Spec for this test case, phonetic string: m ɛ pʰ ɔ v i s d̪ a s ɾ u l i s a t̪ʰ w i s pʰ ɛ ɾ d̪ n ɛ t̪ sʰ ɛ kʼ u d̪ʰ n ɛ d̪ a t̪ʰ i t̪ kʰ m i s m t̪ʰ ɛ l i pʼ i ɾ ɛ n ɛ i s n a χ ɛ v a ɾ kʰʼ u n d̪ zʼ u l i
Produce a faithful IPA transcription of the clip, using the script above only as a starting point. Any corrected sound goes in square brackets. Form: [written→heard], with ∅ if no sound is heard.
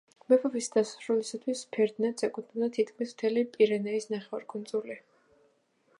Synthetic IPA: m ɛ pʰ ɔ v i s d̪ a s ɾ u l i s a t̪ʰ w i s pʰ ɛ ɾ d̪ n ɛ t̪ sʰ ɛ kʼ u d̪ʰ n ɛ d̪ a t̪ʰ i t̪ kʰ m i s m t̪ʰ ɛ l i pʼ i ɾ ɛ n ɛ i s n a χ ɛ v a ɾ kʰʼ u n d̪ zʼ u l i